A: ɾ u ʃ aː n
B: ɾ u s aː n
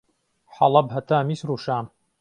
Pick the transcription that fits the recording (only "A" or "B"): A